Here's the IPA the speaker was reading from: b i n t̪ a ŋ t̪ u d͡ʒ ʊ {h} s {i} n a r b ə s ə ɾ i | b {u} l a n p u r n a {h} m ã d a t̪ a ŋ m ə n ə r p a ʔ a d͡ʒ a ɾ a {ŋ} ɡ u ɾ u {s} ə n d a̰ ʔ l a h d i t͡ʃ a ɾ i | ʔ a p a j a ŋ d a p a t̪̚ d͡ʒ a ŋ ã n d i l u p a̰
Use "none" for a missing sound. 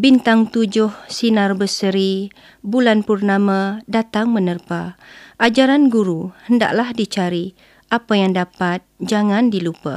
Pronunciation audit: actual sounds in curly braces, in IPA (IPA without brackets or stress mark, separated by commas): h, i, u, none, n, h